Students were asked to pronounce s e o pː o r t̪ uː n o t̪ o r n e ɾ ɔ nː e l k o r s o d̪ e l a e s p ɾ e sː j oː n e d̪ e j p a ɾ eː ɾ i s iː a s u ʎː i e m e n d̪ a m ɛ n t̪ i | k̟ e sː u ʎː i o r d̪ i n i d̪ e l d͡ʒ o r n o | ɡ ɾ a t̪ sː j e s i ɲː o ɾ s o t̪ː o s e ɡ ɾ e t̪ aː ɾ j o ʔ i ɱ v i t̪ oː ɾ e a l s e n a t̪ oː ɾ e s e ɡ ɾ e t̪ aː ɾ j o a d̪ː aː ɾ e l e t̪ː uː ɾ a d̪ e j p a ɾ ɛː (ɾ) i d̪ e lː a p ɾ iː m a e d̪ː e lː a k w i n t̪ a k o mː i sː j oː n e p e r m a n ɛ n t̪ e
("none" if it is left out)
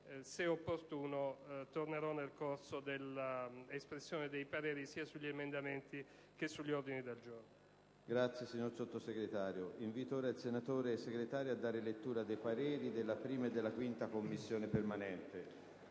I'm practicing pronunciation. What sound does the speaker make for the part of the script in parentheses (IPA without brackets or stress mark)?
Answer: ɾ